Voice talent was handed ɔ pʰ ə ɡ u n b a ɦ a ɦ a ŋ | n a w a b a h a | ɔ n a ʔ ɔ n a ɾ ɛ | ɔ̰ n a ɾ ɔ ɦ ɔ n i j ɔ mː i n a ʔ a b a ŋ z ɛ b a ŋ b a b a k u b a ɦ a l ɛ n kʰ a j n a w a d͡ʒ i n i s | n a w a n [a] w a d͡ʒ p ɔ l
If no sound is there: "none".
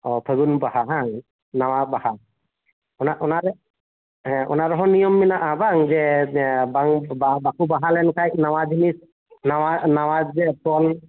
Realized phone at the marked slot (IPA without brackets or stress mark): a